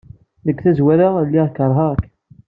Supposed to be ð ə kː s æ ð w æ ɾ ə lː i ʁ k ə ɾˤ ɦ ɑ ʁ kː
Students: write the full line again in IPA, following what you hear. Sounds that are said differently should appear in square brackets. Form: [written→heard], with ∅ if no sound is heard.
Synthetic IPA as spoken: ð ə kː [s→θ] æ [ð→z] w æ ɾ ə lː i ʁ k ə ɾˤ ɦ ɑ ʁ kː